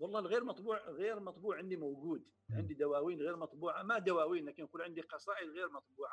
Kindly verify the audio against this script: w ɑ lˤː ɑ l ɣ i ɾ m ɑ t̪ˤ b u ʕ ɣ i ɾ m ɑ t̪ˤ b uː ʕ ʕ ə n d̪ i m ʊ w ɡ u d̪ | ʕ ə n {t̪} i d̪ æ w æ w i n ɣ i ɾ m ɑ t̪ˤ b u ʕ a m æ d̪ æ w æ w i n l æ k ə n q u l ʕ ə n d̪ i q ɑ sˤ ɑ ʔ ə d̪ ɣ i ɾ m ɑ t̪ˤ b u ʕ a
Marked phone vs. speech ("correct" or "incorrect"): incorrect